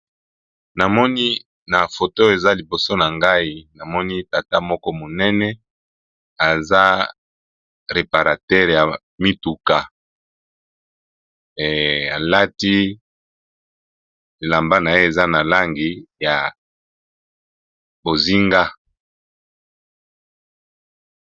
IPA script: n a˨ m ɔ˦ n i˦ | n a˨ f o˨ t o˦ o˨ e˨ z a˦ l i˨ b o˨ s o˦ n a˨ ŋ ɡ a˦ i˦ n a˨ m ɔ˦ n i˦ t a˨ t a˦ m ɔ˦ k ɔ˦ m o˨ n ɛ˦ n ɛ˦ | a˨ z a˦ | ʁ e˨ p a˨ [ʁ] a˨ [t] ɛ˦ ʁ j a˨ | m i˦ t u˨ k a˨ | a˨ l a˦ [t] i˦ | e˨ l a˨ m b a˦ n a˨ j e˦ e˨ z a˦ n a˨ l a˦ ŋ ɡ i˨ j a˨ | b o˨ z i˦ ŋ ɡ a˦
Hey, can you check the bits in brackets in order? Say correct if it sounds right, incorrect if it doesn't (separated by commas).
correct, correct, correct